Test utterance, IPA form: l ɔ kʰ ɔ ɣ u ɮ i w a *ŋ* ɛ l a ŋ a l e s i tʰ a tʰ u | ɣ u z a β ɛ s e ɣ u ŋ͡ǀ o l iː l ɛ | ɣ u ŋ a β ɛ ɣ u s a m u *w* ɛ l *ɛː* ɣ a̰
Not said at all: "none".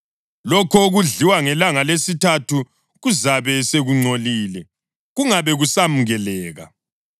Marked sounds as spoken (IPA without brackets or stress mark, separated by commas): ŋ, ɣ, ɛː